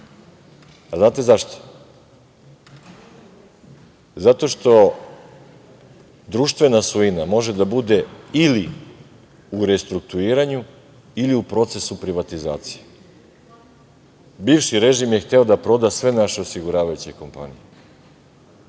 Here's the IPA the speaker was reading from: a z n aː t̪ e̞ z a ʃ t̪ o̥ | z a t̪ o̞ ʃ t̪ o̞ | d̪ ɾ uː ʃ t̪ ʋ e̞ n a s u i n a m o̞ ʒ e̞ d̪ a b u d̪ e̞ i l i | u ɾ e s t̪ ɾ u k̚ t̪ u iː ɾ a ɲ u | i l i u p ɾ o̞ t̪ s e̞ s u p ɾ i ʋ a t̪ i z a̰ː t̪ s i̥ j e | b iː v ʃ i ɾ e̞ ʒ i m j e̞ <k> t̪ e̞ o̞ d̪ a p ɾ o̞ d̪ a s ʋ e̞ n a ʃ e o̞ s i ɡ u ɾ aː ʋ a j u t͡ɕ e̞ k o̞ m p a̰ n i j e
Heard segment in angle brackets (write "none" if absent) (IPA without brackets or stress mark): x